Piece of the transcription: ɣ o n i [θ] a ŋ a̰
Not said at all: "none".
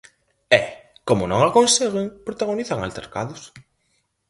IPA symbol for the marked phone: θ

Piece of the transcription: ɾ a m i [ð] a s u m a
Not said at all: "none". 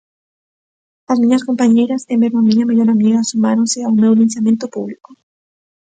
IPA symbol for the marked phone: ɣ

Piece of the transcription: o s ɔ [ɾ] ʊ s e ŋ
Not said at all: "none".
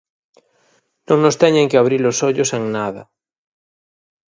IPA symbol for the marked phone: ʎ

